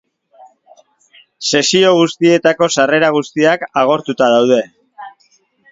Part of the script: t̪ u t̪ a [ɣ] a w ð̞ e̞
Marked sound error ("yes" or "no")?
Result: yes